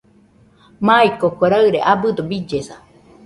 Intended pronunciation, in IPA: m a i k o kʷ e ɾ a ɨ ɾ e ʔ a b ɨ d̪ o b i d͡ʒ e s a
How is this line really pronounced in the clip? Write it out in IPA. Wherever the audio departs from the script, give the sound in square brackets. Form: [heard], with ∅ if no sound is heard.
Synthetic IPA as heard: m a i k o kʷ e ɾ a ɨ ɾ e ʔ a b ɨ d̪ o b i d͡ʒ e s a